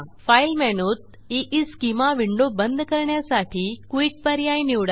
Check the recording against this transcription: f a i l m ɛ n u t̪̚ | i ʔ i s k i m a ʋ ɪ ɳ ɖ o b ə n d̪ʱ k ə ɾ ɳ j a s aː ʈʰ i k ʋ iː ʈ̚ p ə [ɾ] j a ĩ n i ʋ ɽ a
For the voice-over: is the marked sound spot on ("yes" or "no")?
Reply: yes